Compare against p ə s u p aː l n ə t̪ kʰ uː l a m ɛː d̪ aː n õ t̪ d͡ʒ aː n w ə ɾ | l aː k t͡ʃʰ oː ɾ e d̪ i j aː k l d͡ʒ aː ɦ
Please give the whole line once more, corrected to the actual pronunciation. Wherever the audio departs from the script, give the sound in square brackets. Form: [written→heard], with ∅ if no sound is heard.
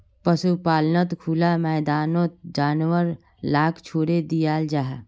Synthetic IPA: p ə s u p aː l n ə t̪ kʰ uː l a m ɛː d̪ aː n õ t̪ d͡ʒ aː n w ə ɾ | l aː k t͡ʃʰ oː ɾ e d̪ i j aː [k→∅] l d͡ʒ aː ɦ